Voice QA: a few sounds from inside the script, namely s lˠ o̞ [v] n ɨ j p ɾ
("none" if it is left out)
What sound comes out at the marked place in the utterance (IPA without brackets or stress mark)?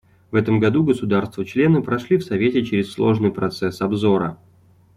ʐ